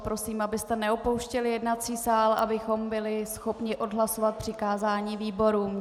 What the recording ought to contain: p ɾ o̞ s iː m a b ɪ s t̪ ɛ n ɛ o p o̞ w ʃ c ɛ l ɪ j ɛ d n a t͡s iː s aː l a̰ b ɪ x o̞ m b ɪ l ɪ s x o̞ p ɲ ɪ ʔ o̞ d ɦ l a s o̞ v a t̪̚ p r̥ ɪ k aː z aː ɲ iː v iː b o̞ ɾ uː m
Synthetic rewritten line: p ɾ o̞ s iː m a b ɪ s t̪ ɛ n ɛ o p o̞ w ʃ c ɛ l ɪ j ɛ d n a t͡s iː s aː l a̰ b ɪ x o̞ m b ɪ l ɪ s x o̞ p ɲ ɪ ʔ o̞ d ɦ l a s o̞ v a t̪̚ p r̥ ɪ k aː z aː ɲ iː v iː b o̞ ɾ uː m